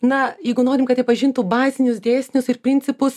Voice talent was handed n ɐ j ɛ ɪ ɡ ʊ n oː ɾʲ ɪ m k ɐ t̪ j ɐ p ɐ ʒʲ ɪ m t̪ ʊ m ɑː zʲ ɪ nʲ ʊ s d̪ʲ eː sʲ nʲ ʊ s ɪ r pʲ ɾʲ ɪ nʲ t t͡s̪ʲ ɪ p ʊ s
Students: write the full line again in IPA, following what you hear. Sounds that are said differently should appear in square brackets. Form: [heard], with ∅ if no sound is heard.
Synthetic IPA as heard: n ɐ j ɛ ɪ ɡ ʊ n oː ɾʲ ɪ m k ɐ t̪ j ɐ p ɐ ʒʲ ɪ [n] t̪ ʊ [b] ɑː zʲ ɪ nʲ ʊ s d̪ʲ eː sʲ nʲ ʊ s ɪ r pʲ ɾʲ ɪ nʲ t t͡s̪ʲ ɪ p ʊ s